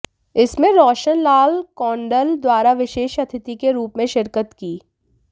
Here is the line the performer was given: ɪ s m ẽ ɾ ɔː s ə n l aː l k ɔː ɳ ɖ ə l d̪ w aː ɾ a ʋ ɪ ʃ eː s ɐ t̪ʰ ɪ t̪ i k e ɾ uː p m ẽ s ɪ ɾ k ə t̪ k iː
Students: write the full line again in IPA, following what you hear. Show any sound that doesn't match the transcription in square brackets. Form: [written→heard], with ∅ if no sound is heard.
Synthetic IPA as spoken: ɪ s m ẽ ɾ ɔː [s→ʃ] ə n l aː l k ɔː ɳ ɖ ə l d̪ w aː ɾ a ʋ ɪ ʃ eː [s→ʃ] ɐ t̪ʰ ɪ t̪ i k e ɾ uː p m ẽ [s→ʃ] ɪ ɾ k ə t̪ k iː